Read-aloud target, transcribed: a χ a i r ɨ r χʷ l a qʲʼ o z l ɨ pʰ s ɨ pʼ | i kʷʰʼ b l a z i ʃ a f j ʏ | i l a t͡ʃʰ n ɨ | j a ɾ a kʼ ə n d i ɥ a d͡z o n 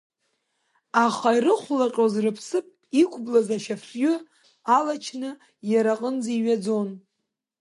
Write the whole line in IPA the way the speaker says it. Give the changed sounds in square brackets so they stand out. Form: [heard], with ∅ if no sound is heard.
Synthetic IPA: a χ a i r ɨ [∅] χʷ l a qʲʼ o z [r] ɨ pʰ s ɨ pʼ | i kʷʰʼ b l a z [a] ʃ a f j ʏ | [a] l a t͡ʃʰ n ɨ | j a ɾ a [qʼ] ə n [d͡z] i ɥ a d͡z o n